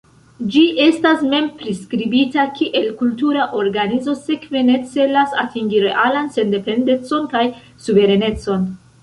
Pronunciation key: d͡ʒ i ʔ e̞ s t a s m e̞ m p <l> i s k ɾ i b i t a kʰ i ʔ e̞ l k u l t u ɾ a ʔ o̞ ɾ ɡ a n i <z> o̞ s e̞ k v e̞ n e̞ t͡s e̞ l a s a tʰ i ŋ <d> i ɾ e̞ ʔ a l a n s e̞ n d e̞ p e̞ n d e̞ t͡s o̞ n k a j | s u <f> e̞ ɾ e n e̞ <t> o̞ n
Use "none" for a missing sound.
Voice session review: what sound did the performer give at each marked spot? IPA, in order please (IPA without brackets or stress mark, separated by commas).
ɾ, z, ɡ, v, t͡s